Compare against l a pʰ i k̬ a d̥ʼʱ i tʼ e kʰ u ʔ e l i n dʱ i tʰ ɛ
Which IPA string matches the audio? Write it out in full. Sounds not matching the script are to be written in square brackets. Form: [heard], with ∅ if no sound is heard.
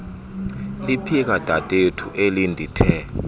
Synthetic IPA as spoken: l [i] pʰ i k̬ a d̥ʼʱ [a] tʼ e [tʰ] u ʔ e l i n dʱ i tʰ ɛ